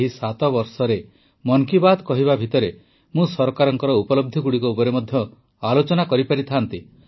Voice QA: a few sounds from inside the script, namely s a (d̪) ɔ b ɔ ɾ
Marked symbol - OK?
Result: no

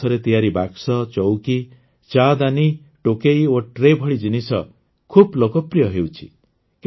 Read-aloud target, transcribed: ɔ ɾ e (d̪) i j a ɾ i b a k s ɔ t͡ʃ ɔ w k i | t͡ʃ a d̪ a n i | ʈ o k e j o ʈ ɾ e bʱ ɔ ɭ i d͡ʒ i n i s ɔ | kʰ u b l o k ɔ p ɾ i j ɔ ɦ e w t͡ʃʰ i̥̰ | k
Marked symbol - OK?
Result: no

